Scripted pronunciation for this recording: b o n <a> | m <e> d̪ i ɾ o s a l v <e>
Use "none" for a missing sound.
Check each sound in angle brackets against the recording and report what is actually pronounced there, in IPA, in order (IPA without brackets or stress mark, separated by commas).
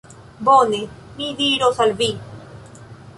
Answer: e, i, i